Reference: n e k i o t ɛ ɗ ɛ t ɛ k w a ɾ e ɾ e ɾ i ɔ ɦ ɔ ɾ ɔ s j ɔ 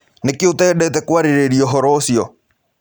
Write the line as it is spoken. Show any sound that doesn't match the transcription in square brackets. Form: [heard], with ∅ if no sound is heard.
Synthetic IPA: n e k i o t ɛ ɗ ɛ t ɛ k w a ɾ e ɾ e ɾ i ɔ ɦ ɔ ɾ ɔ s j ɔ

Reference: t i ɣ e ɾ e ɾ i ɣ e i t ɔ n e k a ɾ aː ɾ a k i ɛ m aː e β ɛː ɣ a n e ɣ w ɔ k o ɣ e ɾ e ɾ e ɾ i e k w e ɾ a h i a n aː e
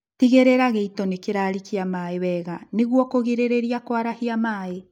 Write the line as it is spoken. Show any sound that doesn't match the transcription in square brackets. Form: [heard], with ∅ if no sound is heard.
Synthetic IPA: t i ɣ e ɾ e ɾ [a] ɣ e i t ɔ n e k [e] ɾ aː ɾ [i] k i [a] m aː e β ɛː ɣ a n e ɣ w ɔ k o ɣ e ɾ e ɾ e ɾ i [a] k w [a] ɾ a h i a [m] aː e

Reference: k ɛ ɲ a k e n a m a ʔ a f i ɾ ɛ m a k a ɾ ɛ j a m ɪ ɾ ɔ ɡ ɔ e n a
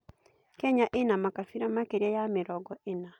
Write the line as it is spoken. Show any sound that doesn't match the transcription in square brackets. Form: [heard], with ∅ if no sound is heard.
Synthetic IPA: k ɛ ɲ a [ʔ] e n a m a [k] a f i ɾ [a] m a k [e] ɾ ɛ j a m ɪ ɾ ɔ ɡ ɔ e n a

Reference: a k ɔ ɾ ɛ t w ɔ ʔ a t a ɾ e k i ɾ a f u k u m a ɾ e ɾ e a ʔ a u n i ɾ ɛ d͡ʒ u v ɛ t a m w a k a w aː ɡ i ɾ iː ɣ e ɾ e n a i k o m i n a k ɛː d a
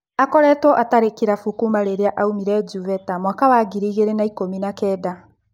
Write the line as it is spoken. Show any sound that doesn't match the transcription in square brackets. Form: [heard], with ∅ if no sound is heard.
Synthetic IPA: a k ɔ ɾ ɛ t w ɔ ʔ a t a ɾ e k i ɾ a f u k u m a ɾ e ɾ e a ʔ a u [m] i ɾ ɛ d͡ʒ u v ɛ t a m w a k a w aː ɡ i ɾ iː ɣ e ɾ e n a i k o m i n a k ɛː d a

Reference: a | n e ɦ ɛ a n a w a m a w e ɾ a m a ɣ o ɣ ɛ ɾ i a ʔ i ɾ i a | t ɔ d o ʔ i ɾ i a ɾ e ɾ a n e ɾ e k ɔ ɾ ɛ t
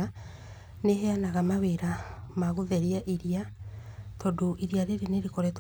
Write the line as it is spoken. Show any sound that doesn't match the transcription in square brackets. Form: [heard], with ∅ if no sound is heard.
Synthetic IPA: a | n e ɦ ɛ a n a [ɣ] a m a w e ɾ a m a ɣ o [ð] ɛ ɾ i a ʔ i ɾ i a | t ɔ d o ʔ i ɾ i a ɾ e ɾ [e] n e ɾ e k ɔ ɾ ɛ t

